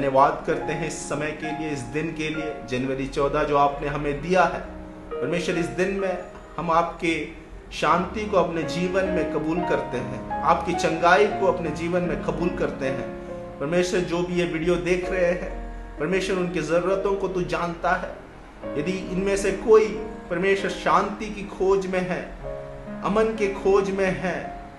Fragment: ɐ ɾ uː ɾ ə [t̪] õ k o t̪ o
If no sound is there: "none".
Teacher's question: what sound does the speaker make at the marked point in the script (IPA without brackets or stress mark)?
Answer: t̪